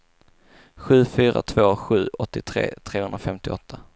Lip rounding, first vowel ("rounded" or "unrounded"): rounded